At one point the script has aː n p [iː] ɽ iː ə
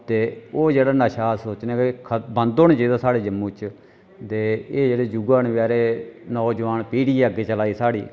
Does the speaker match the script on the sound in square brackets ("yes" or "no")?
yes